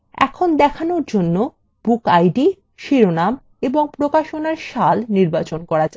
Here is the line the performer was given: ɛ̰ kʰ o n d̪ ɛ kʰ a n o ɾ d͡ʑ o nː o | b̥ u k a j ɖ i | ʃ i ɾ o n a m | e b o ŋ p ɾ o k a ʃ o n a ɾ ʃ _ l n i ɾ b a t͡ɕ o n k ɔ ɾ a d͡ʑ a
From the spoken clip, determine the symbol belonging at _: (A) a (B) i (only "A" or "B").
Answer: A